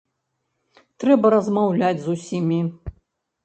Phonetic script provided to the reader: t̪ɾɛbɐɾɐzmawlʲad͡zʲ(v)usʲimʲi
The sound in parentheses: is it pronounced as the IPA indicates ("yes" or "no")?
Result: no